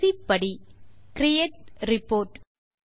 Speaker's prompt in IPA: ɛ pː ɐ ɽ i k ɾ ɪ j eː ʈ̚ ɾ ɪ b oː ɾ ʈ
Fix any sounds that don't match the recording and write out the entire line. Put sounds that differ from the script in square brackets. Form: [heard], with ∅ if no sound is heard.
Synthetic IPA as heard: [i] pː ɐ ɽ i k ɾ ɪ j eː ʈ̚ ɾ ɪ [p] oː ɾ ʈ